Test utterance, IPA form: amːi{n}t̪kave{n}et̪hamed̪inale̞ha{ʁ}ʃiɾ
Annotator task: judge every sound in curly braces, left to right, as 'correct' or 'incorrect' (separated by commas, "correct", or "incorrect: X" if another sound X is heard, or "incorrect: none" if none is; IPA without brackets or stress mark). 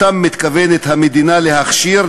incorrect: none, correct, incorrect: χ